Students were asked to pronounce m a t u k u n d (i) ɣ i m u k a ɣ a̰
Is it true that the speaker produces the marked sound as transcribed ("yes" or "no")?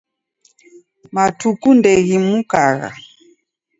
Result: no